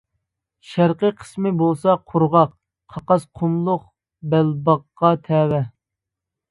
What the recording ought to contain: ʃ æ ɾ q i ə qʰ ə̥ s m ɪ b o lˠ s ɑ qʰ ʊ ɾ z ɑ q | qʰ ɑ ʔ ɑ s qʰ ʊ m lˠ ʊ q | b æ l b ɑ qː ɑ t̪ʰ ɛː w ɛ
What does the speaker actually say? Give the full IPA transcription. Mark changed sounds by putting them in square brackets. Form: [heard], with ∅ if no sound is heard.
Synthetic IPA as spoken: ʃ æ ɾ q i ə qʰ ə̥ s m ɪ b o lˠ s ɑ qʰ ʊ ɾ [ʁ] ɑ q | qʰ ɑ [q] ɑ s qʰ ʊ m lˠ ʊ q | b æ l b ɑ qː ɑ t̪ʰ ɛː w ɛ